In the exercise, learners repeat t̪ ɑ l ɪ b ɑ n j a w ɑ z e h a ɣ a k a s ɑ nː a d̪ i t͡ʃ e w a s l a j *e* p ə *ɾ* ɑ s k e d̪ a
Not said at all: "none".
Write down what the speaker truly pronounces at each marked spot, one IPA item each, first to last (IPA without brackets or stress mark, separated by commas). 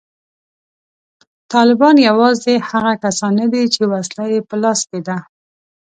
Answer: e, l